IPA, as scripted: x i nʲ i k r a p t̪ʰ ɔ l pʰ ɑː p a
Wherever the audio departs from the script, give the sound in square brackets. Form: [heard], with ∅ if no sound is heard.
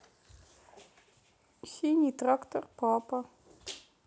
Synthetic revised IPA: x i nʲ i [t] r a [k] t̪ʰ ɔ [r] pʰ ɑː p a